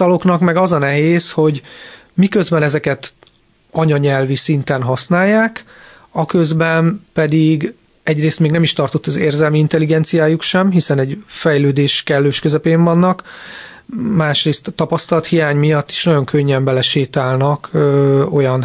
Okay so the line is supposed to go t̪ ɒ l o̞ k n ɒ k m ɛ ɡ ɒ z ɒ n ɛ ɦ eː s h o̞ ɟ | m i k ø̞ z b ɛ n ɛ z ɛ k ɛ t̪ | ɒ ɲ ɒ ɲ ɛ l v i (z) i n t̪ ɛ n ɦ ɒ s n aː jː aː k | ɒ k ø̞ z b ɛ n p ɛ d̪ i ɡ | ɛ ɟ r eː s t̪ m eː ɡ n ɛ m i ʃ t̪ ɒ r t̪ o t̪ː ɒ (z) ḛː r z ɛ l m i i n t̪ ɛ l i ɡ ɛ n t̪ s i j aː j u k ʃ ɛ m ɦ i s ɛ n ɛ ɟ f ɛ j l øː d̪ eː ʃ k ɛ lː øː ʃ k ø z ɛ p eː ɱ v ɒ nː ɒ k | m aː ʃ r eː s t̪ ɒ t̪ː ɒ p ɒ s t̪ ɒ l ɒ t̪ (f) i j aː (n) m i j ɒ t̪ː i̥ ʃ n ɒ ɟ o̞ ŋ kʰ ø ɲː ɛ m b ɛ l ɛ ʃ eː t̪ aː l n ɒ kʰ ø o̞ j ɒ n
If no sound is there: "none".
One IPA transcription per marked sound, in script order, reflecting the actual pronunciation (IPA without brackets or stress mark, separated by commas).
s, z, h, ɲ